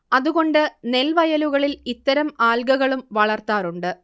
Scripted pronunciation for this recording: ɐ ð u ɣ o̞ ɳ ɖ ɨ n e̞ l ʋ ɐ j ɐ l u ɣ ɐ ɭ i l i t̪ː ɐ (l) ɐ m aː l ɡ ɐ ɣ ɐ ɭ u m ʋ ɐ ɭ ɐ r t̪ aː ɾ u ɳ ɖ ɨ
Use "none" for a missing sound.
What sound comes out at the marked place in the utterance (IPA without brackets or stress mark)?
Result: ɾ